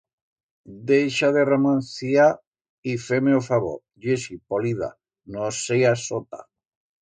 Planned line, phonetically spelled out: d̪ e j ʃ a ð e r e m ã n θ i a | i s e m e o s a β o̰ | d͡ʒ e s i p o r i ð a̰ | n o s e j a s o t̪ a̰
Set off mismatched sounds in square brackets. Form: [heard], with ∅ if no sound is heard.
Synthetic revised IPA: d̪ e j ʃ a ð e r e m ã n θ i a | i [f] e m e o [f] a β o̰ | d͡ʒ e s i p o [l] i ð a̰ | n o s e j a s o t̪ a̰